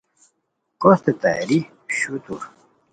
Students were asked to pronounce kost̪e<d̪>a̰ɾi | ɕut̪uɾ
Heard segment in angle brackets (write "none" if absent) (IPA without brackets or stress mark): t̪